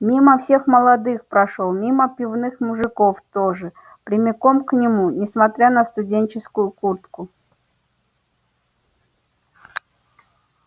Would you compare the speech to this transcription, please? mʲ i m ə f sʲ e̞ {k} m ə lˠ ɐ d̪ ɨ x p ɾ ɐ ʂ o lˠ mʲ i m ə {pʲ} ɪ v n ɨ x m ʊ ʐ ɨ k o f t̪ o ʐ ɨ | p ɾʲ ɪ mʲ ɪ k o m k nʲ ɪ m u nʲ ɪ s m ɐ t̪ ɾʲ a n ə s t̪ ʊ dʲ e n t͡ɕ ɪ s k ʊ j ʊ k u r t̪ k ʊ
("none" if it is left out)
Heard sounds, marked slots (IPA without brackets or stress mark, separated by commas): x, pʲ